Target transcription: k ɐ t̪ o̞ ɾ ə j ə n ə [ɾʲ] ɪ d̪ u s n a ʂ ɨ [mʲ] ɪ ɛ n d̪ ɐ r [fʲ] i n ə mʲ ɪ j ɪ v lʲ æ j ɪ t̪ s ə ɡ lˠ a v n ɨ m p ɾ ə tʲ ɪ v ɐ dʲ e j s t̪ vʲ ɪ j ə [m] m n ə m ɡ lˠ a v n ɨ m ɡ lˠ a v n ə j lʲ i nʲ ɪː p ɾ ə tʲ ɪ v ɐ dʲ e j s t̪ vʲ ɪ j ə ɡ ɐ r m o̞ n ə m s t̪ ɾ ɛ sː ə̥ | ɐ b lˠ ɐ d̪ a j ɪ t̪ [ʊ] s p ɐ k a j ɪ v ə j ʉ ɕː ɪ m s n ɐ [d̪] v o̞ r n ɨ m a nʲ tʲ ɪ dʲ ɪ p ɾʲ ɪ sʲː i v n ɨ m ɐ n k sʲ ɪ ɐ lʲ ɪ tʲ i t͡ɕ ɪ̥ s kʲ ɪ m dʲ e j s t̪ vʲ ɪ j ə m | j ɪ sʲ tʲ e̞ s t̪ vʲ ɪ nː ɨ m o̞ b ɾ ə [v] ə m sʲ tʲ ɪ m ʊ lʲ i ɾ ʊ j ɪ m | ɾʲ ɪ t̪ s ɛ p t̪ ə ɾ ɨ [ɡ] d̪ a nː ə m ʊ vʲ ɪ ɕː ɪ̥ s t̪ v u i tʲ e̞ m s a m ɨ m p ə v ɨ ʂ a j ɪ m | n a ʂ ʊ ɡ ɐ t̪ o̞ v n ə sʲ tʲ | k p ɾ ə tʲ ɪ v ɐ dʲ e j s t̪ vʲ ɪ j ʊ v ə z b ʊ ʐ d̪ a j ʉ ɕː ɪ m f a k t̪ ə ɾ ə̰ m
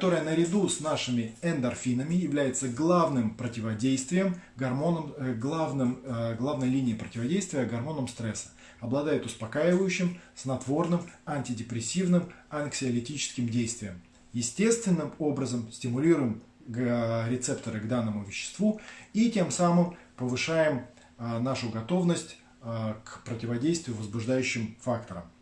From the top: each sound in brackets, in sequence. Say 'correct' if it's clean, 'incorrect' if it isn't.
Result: correct, correct, correct, correct, correct, incorrect: t̪, incorrect: z, correct

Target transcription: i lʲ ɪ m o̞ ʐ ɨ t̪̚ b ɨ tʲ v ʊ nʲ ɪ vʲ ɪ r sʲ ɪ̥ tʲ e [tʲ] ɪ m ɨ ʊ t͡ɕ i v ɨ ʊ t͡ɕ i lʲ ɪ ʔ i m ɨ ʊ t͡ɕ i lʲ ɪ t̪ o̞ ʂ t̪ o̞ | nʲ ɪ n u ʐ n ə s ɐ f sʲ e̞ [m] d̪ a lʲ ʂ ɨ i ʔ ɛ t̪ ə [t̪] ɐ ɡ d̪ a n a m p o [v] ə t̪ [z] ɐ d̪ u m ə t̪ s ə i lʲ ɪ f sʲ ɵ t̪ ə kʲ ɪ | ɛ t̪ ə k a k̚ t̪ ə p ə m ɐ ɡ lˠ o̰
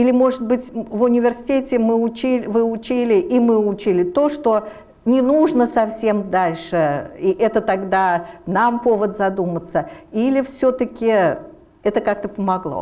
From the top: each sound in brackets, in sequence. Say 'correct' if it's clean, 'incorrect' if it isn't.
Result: correct, correct, correct, correct, correct

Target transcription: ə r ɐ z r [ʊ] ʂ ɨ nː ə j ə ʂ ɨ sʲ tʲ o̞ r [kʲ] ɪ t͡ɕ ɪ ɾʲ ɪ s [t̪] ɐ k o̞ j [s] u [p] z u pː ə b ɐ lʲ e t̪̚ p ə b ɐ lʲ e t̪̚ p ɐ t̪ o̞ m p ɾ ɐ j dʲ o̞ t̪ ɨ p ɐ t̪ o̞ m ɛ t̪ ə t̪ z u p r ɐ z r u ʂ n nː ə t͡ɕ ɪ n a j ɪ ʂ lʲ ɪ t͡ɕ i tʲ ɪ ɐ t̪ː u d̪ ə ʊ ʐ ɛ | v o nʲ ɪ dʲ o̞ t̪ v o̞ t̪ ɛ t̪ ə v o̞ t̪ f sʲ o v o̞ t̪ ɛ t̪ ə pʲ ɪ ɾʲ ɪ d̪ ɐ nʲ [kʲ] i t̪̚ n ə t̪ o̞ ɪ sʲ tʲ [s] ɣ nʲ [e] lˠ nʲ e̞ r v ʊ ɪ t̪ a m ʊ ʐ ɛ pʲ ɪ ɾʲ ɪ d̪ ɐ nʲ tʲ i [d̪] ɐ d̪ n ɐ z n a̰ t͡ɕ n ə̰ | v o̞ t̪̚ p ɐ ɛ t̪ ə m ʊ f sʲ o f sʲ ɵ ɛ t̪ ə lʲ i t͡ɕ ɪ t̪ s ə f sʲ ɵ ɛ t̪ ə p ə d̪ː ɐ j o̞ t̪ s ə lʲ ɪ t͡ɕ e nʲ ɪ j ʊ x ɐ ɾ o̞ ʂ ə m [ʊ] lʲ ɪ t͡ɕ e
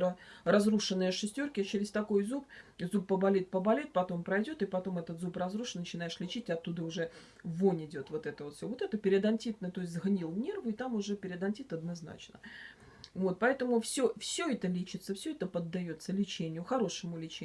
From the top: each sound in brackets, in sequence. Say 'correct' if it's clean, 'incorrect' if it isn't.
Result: incorrect: u, correct, correct, incorrect: z, correct, incorrect: tʲ, incorrect: z, incorrect: i, incorrect: t̪, correct

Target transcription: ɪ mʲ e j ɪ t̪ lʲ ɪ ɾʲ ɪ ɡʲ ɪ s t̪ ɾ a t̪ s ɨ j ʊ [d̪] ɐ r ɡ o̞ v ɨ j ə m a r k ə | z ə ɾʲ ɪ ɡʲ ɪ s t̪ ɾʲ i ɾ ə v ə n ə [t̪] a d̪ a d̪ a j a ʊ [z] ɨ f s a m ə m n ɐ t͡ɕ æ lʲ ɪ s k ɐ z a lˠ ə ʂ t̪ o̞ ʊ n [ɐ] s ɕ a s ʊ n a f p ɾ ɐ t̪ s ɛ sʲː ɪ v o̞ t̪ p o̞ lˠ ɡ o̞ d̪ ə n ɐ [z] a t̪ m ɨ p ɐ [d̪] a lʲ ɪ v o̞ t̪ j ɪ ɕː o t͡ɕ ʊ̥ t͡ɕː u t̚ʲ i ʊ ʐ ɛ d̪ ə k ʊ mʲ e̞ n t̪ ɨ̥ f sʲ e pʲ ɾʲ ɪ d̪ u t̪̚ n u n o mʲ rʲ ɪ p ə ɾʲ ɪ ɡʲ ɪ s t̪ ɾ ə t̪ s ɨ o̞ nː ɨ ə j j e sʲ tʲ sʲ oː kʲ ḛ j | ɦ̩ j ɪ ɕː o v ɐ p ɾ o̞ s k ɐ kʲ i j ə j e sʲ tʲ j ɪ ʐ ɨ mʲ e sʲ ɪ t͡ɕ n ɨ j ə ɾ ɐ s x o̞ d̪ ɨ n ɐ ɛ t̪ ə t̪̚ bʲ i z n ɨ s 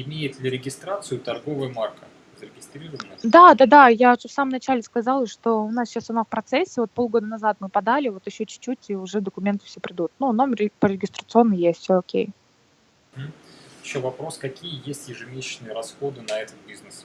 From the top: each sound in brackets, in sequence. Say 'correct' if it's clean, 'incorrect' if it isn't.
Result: incorrect: t̪, incorrect: d̪, incorrect: ʐ, incorrect: a, correct, correct

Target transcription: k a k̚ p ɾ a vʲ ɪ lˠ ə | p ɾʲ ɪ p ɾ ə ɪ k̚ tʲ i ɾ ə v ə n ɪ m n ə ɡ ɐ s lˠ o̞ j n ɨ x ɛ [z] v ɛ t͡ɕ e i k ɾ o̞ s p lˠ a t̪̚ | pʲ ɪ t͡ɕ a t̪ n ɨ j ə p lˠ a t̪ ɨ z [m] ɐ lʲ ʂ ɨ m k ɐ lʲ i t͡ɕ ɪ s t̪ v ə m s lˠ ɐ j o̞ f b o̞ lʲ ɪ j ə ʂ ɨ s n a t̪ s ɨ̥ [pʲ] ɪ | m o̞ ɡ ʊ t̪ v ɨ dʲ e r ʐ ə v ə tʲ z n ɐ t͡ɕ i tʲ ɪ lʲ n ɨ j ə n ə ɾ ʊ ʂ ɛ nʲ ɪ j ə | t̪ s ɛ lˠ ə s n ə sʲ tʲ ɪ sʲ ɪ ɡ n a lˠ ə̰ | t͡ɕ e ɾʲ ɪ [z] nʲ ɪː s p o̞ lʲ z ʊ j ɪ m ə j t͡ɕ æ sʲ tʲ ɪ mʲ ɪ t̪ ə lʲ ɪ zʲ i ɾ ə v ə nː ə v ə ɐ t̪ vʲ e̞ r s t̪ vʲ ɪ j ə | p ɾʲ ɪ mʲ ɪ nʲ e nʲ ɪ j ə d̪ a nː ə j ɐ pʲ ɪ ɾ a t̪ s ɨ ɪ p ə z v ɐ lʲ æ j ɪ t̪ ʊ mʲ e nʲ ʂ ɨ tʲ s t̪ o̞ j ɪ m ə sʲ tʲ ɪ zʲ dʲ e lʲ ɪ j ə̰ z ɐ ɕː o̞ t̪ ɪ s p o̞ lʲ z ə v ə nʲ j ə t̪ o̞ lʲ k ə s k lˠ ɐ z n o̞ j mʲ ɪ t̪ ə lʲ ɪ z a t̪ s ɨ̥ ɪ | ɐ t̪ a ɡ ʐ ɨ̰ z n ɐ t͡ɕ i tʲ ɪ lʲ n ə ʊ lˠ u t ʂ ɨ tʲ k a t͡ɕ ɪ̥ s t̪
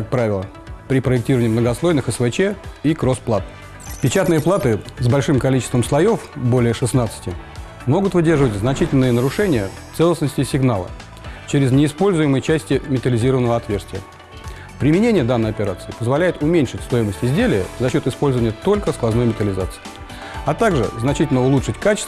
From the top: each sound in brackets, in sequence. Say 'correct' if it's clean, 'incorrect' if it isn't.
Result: incorrect: s, incorrect: b, incorrect: tʲ, correct

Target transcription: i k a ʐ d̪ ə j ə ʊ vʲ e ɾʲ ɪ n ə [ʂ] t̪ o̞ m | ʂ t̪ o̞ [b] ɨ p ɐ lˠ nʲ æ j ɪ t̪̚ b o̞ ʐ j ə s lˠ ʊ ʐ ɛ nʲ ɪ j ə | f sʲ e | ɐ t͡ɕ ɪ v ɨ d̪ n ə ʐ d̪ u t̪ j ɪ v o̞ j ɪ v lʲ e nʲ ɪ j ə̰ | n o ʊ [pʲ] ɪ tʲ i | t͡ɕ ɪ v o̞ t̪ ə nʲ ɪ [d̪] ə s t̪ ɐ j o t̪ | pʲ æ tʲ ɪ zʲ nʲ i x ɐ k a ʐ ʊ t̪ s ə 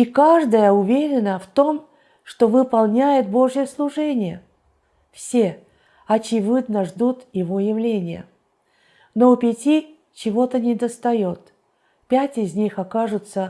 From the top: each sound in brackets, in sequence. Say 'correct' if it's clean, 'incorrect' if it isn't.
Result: incorrect: f, incorrect: v, correct, correct

